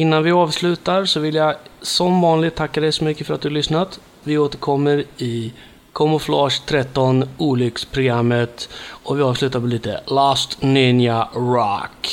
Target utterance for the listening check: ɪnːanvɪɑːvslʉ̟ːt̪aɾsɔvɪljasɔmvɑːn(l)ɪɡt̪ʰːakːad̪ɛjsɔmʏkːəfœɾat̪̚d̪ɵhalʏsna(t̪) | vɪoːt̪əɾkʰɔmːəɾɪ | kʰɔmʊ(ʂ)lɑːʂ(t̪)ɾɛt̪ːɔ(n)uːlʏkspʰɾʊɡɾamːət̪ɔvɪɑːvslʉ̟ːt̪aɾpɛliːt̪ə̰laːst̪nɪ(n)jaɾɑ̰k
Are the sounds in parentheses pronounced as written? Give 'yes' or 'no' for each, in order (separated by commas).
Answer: yes, yes, no, no, yes, yes